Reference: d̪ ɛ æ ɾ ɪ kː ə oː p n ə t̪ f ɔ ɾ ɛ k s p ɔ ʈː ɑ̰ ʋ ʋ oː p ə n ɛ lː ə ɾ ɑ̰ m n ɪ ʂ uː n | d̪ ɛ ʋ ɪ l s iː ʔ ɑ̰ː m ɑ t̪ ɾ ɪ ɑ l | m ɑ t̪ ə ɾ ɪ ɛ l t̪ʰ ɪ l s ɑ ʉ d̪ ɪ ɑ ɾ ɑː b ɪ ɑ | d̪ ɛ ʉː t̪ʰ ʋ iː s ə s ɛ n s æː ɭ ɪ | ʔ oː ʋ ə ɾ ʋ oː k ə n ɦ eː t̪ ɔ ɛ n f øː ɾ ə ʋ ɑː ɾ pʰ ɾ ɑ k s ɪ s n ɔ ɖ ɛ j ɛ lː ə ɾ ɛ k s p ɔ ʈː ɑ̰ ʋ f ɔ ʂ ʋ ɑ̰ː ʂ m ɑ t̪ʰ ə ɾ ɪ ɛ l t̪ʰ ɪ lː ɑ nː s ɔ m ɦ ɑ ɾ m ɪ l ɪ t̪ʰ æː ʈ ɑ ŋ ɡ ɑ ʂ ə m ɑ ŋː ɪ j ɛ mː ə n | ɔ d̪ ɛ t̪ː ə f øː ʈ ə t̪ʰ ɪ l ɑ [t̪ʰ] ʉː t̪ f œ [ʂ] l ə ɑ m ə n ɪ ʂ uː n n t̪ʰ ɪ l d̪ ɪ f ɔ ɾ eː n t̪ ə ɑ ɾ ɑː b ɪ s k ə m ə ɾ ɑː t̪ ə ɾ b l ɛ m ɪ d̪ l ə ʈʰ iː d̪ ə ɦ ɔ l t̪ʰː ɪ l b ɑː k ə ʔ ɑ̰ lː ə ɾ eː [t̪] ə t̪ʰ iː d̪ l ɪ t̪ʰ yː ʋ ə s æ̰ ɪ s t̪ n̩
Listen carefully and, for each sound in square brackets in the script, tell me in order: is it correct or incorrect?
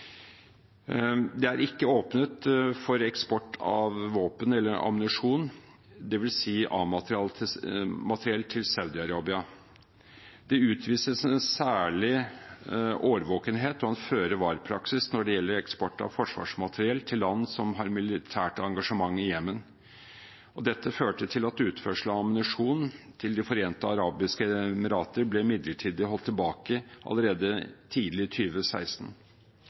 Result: incorrect, correct, incorrect

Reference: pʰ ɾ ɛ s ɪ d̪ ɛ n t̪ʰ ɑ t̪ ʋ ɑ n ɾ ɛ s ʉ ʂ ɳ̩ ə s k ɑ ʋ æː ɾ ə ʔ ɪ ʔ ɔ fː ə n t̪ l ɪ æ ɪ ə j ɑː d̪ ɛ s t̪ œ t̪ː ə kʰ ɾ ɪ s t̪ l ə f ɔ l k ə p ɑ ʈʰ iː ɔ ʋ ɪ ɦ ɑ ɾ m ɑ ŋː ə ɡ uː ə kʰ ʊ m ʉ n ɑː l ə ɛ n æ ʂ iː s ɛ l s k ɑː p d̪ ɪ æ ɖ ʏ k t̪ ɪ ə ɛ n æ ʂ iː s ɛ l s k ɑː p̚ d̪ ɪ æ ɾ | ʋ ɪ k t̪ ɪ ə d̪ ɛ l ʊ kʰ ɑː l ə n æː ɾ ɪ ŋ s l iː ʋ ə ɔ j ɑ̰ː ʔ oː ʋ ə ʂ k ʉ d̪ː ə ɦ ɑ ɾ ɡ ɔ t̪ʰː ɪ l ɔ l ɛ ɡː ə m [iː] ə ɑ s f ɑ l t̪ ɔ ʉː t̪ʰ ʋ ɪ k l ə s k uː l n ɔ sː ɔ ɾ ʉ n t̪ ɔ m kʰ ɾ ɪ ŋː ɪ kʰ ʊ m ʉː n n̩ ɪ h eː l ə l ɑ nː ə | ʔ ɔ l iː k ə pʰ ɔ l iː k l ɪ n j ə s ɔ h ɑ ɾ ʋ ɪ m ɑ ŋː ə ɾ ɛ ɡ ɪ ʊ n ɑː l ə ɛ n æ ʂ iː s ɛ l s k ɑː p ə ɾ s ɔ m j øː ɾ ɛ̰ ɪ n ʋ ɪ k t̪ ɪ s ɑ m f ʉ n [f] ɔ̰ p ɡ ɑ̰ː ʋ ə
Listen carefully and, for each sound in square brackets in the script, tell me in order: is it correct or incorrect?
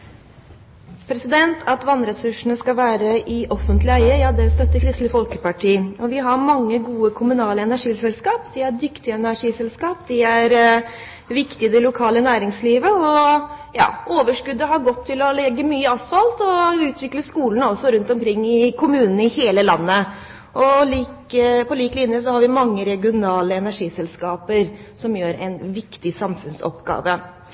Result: incorrect, incorrect

